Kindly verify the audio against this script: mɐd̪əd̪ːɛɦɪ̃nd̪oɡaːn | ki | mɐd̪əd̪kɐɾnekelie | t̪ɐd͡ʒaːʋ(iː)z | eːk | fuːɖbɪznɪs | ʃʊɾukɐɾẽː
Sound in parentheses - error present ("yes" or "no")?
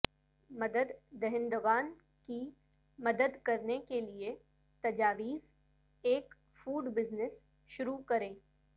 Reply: no